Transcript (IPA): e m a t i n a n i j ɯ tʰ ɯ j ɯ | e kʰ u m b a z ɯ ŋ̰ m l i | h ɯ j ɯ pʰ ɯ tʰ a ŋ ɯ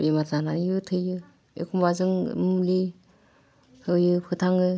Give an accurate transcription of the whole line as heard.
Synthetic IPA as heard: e m a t a n a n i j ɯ tʰ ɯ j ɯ | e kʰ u m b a z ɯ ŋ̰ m l i | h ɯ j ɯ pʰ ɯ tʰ a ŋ ɯ